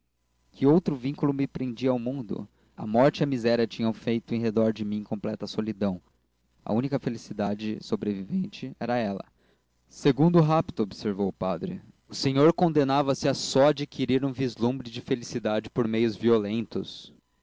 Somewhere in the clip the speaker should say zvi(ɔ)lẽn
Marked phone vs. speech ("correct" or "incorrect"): incorrect